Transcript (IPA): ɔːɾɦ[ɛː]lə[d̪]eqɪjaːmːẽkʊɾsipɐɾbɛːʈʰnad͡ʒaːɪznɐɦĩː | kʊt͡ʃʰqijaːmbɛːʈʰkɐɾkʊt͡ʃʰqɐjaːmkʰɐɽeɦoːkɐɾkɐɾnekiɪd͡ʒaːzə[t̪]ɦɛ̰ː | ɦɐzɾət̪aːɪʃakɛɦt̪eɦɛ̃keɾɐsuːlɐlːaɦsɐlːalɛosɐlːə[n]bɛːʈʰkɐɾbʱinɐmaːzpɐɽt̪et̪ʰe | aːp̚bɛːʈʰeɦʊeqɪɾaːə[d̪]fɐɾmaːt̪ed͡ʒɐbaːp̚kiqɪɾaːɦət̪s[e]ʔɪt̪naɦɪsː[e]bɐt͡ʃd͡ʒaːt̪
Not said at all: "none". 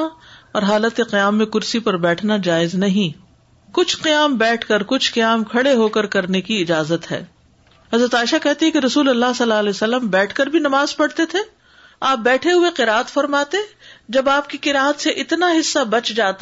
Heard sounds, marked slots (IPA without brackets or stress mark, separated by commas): aː, t̪, t̪, m, t̪, e, a